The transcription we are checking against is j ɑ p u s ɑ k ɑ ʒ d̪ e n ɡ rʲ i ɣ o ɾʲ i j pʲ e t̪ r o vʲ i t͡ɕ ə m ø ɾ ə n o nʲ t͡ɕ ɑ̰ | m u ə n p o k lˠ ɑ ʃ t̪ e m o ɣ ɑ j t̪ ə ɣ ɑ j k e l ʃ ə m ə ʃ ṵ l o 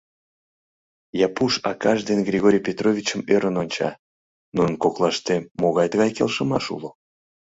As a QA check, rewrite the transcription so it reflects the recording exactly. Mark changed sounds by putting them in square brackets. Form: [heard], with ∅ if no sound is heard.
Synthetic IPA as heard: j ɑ p u [ʃ] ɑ k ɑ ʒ d̪ e n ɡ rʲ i ɣ o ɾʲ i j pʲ e t̪ r o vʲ i t͡ɕ ə m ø ɾ ə n o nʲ t͡ɕ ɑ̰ | [n] u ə n [k] o k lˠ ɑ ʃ t̪ e m o ɣ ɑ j t̪ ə ɣ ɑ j k e l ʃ ə m [ɑ] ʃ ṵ l o